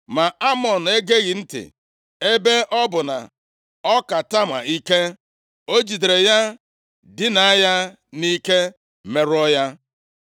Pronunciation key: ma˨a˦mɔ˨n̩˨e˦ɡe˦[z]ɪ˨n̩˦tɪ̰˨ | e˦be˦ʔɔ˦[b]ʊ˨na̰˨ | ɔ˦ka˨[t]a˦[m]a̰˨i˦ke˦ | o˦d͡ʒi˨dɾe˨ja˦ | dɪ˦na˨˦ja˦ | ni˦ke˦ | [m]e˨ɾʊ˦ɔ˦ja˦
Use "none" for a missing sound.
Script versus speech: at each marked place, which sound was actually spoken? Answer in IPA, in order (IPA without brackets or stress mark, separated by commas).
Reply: ɣ, b, t, m, m